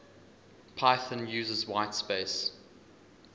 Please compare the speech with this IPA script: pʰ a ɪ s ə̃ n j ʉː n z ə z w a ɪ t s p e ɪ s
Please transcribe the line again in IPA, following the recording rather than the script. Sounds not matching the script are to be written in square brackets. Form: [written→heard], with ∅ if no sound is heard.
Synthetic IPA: pʰ a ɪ [s→θ] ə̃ n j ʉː [n→∅] z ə z w a ɪ t s p e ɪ s